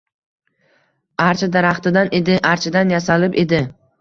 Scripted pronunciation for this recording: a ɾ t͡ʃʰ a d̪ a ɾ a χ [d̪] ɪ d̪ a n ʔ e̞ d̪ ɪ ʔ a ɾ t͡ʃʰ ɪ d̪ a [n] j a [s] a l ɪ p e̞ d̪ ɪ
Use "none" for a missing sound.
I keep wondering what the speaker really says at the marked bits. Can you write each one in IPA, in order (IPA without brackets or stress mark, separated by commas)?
t̪, n, s